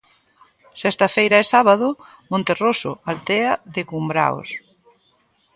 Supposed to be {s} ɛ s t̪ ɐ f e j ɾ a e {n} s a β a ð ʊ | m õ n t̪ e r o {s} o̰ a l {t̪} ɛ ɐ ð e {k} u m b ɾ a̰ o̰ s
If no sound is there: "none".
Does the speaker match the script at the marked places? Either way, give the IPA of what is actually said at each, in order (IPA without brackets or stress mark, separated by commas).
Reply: s, none, s, t̪, k